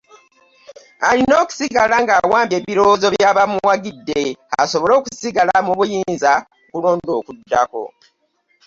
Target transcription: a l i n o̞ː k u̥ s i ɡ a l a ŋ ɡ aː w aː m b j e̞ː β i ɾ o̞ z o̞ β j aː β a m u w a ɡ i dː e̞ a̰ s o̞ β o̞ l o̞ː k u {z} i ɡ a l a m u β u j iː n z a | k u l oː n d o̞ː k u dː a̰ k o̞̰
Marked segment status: incorrect: s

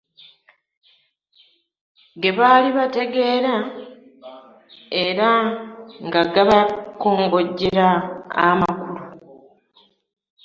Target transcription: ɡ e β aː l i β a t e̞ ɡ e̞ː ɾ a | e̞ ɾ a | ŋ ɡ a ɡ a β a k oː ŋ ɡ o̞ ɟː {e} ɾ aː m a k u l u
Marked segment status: correct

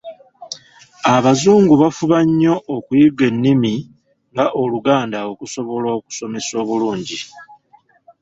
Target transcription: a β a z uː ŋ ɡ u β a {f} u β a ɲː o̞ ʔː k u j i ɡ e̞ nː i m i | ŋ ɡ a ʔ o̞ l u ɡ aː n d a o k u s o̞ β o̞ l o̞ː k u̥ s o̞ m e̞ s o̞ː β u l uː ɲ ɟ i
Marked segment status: correct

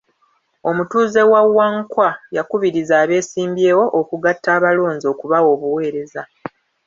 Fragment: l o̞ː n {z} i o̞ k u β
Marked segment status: correct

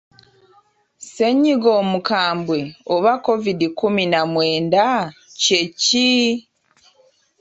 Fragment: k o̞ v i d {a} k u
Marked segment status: incorrect: i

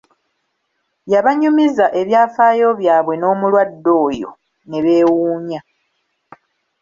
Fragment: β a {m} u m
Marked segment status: incorrect: ɲ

